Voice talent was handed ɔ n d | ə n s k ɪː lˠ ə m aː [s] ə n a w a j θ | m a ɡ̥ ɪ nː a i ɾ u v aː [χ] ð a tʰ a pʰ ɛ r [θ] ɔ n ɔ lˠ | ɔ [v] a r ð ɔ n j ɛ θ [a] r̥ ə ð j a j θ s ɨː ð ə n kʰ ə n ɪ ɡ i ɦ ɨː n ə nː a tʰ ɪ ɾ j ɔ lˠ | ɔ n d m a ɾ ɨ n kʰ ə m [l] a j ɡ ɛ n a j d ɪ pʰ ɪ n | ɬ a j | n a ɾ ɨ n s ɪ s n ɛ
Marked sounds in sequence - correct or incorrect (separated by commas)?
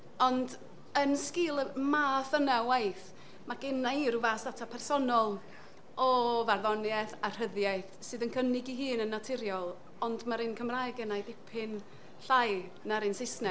incorrect, incorrect, incorrect, correct, correct, incorrect